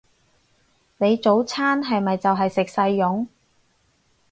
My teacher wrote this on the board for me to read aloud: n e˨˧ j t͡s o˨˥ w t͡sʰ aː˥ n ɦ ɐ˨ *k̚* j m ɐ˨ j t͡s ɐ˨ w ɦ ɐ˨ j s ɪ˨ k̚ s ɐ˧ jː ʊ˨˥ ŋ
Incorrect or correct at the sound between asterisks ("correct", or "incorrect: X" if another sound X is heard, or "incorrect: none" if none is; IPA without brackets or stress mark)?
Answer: incorrect: none